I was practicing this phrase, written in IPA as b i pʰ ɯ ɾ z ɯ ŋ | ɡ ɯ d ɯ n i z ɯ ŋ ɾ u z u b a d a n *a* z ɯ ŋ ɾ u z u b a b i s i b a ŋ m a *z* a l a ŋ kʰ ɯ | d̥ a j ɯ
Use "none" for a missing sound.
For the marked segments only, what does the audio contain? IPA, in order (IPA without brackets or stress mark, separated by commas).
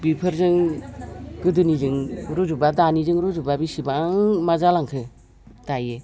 i, z